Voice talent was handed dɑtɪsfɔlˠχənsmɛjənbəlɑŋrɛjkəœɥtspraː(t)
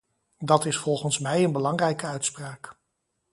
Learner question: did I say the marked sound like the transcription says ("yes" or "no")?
no